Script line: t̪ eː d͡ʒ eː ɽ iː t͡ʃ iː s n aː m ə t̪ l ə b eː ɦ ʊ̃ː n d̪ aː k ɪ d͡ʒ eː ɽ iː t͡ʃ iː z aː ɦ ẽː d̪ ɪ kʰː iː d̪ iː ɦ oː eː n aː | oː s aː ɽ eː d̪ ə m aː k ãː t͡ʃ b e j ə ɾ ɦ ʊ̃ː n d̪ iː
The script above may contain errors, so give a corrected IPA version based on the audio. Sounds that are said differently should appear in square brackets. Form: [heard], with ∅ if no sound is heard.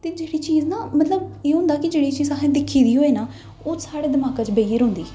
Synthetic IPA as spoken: t̪ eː d͡ʒ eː ɽ iː t͡ʃ iː [z] n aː m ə t̪ l ə b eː ɦ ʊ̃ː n d̪ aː k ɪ d͡ʒ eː ɽ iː t͡ʃ iː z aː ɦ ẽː d̪ ɪ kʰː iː d̪ iː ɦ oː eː n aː | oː s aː ɽ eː d̪ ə m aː k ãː t͡ʃ b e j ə ɾ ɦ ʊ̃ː n d̪ iː